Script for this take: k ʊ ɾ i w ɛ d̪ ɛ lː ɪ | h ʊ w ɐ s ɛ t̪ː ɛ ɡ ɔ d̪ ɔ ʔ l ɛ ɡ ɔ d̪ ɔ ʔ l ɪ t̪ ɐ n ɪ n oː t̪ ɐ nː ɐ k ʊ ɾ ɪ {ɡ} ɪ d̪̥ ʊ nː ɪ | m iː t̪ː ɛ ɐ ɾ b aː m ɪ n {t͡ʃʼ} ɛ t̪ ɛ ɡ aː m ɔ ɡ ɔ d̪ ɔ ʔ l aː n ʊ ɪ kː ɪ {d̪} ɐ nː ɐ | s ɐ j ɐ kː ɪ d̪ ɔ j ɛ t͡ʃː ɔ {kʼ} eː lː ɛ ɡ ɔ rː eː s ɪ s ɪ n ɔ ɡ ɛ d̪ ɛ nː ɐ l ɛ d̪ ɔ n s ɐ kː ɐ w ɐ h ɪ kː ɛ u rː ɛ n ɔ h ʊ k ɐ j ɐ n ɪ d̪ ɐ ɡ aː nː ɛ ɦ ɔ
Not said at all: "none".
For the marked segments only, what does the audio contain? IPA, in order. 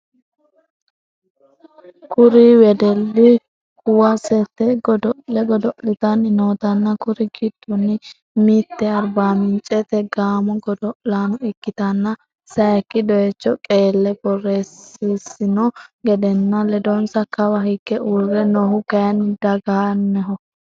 ɡ, t͡ʃʼ, t̪, kʼ

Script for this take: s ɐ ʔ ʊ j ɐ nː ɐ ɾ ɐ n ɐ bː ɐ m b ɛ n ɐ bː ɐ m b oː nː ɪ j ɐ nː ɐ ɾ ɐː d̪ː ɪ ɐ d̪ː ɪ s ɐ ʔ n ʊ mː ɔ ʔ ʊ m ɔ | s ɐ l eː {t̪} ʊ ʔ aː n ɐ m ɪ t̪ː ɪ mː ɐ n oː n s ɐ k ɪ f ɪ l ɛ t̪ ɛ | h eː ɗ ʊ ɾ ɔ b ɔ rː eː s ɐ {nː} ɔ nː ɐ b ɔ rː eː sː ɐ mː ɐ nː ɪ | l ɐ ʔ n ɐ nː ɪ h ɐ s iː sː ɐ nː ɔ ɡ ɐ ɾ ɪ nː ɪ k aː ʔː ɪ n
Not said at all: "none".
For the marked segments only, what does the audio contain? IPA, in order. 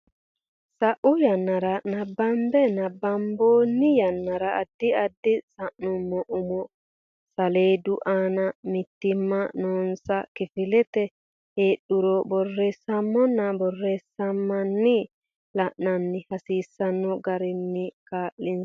d̪, mː

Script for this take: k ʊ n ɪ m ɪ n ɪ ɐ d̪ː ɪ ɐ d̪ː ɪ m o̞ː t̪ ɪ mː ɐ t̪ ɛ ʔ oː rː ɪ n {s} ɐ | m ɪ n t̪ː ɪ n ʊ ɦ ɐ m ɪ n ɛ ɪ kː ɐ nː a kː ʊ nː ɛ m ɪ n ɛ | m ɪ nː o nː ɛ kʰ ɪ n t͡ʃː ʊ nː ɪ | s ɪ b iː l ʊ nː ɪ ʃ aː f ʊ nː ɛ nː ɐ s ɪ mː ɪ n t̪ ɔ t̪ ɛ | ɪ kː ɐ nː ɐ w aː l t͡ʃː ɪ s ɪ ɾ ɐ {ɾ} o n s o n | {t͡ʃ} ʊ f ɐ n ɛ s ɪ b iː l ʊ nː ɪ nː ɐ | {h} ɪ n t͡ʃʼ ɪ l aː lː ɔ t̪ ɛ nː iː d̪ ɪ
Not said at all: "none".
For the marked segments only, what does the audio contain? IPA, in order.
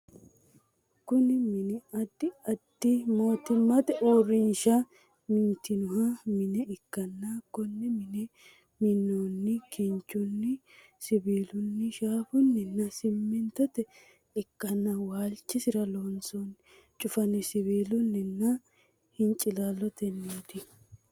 ʃ, l, t͡ʃʼ, h

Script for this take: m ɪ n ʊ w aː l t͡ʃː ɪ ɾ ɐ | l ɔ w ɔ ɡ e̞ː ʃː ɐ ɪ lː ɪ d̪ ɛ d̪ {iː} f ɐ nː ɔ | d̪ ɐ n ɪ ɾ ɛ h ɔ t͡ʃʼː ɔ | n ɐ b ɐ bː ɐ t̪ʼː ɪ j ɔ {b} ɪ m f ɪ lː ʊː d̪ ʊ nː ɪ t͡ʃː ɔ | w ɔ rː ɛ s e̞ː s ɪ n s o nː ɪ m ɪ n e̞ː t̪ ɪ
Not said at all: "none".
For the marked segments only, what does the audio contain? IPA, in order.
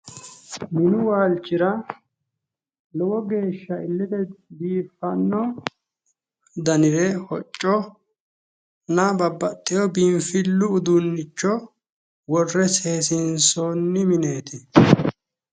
iː, b

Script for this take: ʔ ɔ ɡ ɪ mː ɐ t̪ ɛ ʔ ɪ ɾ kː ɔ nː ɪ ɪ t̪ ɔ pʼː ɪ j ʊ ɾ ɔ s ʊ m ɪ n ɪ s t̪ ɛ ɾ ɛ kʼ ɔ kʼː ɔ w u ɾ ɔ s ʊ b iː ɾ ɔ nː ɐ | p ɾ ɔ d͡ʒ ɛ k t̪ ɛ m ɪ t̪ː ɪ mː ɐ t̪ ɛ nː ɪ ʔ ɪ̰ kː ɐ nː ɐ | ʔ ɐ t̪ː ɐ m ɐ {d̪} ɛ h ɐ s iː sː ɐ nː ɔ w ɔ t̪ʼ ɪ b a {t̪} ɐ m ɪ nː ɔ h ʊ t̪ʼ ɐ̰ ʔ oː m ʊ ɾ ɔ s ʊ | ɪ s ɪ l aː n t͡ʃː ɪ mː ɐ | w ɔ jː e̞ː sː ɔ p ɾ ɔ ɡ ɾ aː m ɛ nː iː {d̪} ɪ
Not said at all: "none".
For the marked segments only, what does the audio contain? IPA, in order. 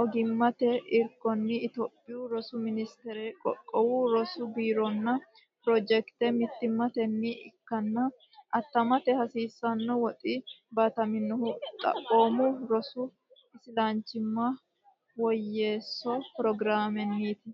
t̪, t̪, t̪

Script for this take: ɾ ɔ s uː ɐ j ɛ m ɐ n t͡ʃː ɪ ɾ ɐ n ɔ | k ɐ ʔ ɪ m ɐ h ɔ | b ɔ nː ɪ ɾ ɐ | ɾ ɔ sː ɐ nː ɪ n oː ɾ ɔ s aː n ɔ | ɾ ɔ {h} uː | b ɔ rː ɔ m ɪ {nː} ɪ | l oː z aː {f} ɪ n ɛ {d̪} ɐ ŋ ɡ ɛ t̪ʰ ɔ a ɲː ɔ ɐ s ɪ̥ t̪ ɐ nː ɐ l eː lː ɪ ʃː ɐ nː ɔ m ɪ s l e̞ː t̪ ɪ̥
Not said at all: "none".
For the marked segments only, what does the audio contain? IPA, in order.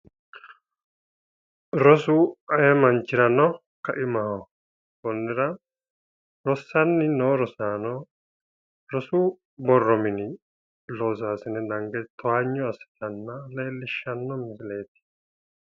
s, n, s, d̪

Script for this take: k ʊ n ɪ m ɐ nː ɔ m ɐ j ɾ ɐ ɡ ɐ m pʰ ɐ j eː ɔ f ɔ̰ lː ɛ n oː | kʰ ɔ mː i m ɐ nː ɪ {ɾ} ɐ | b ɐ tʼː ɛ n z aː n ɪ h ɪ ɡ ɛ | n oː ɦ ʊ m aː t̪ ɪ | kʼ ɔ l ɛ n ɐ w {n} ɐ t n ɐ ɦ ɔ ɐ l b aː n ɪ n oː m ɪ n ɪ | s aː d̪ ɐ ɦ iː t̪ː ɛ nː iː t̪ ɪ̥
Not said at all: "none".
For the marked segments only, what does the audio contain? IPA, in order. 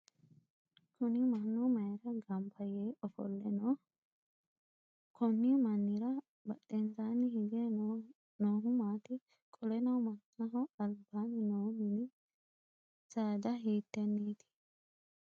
ɾ, m

